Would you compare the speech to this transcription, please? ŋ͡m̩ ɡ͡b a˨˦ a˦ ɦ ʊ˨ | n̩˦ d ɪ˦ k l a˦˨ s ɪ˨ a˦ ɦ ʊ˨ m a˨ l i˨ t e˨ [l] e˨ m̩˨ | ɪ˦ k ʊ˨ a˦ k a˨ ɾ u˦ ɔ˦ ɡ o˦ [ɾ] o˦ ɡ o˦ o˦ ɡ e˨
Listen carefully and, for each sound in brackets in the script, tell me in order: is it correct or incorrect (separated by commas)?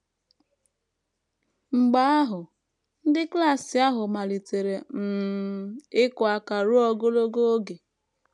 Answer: incorrect, incorrect